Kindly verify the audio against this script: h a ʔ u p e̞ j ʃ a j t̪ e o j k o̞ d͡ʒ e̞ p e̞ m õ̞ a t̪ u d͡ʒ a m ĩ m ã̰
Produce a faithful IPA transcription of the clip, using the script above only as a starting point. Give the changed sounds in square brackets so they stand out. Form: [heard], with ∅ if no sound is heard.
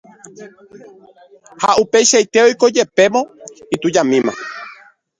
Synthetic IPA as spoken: h a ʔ u p e̞ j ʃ a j t̪ e o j k o̞ d͡ʒ e̞ p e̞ m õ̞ [i] t̪ u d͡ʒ a m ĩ m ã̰